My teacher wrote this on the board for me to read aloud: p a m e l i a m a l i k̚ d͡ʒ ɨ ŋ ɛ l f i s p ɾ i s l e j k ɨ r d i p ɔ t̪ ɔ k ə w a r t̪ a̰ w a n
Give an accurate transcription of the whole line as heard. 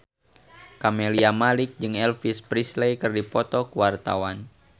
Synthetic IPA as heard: k a m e l i a m a l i k̚ d͡ʒ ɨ ŋ ɛ l f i s p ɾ i s l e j k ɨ r d i p ɔ t̪ ɔ k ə w a r t̪ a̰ w a n

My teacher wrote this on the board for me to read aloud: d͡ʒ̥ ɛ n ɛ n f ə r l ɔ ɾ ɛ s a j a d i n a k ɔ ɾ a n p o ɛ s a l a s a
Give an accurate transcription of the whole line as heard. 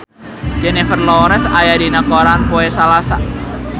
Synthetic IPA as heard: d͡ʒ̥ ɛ n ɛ f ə r l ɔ ɾ ɛ s a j a d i n a k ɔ ɾ a n p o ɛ s a l a s a

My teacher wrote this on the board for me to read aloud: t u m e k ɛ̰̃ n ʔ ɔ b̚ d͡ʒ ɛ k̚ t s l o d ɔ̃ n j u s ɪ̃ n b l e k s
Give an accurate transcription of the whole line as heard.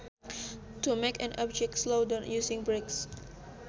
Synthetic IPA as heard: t u m e k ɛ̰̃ n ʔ ɔ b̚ d͡ʒ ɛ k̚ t s l o d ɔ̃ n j u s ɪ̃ ŋ b ɹ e k s

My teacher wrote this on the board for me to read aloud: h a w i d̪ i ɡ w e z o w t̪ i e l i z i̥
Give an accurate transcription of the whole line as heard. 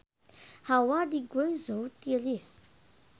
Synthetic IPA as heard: h a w a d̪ i ɡ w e z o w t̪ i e l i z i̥

